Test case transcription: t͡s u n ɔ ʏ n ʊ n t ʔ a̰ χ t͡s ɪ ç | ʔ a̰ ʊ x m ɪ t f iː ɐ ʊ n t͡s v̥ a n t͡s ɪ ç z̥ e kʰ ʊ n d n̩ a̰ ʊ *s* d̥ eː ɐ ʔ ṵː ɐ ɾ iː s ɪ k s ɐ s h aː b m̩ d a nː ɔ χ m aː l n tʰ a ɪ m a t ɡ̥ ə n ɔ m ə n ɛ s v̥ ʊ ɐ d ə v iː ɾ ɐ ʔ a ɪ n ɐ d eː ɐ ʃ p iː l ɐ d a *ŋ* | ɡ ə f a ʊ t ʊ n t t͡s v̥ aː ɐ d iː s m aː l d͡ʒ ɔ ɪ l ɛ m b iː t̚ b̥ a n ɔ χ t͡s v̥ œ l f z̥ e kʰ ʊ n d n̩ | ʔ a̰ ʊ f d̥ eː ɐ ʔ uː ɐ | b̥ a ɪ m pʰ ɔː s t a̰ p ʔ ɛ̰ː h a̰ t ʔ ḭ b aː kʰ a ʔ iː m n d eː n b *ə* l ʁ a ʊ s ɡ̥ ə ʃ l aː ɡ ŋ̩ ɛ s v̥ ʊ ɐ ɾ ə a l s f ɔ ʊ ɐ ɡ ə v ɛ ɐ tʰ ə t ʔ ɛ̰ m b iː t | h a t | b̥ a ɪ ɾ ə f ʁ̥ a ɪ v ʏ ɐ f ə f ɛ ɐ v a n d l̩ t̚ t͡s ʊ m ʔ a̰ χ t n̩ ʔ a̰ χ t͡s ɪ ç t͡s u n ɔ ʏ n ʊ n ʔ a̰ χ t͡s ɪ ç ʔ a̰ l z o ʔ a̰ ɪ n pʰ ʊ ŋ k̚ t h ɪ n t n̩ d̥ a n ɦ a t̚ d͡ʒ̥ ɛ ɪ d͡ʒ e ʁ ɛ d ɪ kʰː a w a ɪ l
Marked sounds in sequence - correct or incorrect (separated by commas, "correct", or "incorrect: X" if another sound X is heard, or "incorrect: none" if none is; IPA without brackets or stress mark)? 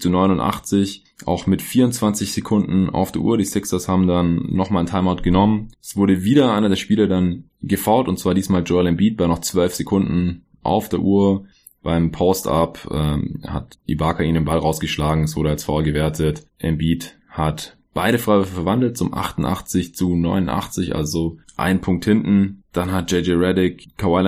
incorrect: f, incorrect: n, incorrect: a